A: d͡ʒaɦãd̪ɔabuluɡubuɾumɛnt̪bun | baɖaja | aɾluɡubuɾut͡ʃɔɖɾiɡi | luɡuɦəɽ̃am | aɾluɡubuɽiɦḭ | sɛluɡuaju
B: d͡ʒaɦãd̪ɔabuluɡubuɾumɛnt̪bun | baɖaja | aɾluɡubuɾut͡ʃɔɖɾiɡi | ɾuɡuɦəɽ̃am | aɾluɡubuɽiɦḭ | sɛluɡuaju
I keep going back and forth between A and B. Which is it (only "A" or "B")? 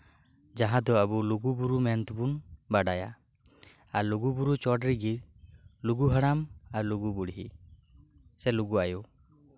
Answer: A